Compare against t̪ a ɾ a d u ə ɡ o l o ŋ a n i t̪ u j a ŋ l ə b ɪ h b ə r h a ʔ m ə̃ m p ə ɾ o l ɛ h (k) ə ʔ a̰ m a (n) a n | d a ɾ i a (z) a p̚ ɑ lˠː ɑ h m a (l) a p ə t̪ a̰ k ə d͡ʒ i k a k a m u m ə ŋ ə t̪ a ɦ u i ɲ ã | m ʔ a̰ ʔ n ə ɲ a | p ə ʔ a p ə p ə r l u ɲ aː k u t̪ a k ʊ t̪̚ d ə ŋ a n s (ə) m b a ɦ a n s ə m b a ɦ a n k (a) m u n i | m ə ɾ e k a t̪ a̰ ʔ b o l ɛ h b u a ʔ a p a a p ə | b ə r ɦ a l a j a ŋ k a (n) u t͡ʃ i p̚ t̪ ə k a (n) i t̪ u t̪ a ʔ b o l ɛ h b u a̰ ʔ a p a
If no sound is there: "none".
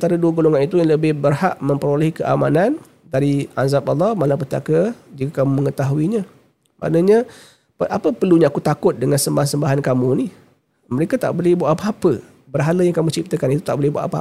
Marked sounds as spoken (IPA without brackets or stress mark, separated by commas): k, n, z, l, ə, a, m, n